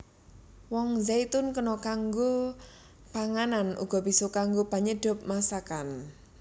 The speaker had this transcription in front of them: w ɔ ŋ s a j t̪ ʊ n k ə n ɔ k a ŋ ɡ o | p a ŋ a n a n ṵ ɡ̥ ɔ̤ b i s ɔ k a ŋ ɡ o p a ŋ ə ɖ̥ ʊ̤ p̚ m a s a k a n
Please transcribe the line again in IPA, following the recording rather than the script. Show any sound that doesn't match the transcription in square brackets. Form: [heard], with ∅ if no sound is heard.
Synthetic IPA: w ɔ ŋ [z] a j t̪ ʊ n k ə n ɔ k a ŋ ɡ o | p a ŋ a n a n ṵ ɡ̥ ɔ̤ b i s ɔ k a ŋ ɡ o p a [ɲ] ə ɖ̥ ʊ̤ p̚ m a s a k a n